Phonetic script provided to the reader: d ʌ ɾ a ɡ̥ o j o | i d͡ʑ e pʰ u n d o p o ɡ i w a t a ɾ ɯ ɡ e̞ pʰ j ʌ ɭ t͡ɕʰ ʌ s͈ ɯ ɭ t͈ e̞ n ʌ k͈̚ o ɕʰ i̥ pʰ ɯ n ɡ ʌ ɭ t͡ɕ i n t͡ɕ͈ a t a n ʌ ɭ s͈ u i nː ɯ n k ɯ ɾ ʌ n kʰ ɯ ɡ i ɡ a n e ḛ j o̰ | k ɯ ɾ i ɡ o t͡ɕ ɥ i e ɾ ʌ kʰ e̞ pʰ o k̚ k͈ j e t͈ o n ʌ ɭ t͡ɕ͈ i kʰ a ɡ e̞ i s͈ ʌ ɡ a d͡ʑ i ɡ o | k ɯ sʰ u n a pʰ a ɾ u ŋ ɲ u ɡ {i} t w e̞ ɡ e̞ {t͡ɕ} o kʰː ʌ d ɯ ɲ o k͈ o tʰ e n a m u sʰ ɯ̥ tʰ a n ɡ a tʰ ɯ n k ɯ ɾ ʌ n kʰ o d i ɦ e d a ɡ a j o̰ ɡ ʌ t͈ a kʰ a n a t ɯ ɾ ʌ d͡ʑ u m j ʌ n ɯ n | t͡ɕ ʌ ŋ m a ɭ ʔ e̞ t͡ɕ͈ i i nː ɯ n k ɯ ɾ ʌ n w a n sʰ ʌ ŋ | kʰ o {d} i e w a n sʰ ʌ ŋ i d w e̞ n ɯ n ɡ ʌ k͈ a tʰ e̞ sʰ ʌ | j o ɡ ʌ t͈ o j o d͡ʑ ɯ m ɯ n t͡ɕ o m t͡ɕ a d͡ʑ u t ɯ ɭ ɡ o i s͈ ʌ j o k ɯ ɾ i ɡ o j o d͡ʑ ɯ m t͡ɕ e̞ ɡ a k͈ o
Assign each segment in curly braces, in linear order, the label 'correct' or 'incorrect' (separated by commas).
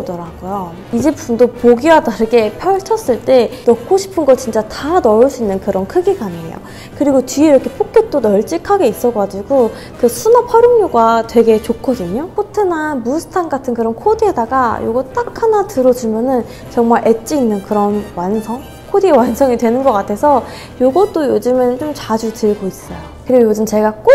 incorrect, correct, correct